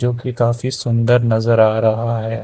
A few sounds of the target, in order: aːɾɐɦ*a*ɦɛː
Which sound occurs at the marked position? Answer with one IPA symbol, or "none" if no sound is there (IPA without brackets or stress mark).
a